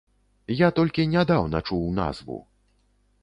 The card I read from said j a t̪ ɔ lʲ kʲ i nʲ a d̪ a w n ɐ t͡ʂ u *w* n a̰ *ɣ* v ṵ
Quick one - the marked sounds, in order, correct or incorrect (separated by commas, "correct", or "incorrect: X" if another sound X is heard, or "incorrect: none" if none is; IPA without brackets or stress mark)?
correct, incorrect: z